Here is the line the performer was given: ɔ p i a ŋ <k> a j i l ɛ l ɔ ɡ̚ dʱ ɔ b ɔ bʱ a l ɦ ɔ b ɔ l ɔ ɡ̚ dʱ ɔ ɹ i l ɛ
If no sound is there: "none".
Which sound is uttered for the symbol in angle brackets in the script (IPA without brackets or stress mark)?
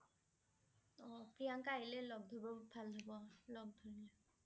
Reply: k